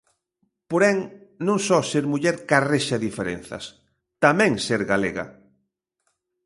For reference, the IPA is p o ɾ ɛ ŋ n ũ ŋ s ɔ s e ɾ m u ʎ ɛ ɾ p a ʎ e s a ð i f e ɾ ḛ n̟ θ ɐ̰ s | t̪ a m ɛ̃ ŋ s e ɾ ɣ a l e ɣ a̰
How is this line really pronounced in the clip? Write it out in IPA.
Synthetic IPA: p o ɾ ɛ ŋ n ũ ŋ s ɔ s e ɾ m u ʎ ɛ ɾ k a r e ʃ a ð i f e ɾ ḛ n̟ θ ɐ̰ s | t̪ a m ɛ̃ ŋ s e ɾ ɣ a l e ɣ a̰